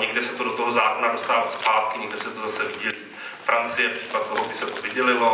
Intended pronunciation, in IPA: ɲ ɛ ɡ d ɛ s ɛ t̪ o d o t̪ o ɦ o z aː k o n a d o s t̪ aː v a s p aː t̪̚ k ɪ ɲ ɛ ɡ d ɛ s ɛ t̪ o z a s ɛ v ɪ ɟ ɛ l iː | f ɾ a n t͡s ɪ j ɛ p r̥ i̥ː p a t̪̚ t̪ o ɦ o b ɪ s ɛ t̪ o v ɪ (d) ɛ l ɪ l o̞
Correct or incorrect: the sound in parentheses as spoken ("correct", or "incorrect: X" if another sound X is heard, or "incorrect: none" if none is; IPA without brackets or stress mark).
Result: incorrect: ɟ